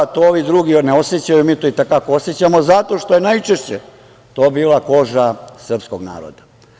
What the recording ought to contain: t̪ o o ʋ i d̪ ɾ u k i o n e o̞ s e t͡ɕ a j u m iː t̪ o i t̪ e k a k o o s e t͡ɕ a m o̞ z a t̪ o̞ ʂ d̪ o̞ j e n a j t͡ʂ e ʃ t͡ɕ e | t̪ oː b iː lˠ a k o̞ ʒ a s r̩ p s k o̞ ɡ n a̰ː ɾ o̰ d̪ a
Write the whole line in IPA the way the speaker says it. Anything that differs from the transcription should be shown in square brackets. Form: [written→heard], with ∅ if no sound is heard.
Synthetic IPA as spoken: t̪ o o ʋ i d̪ ɾ u [k→ɡ] i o n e o̞ s e t͡ɕ a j u m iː t̪ o i t̪ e k a k o o s e t͡ɕ a m o̞ z a t̪ o̞ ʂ [d̪→t̪] o̞ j e n a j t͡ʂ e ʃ t͡ɕ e | t̪ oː b iː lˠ a k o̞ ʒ a s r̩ p s k o̞ ɡ n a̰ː ɾ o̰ d̪ a